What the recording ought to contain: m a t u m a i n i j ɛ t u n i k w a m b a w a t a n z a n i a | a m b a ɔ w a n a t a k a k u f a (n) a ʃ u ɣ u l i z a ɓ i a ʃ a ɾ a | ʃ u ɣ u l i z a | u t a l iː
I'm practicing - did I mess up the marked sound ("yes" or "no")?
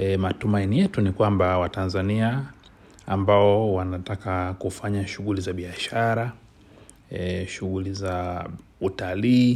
yes